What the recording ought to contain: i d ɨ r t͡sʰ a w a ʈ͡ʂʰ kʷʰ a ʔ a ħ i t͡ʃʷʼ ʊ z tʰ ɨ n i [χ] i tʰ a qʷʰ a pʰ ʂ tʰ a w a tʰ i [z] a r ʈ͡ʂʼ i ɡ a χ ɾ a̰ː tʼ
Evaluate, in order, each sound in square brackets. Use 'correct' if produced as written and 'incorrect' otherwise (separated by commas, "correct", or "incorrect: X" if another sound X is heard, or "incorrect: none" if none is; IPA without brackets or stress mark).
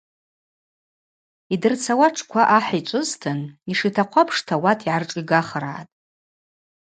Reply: incorrect: ʂ, incorrect: ʕ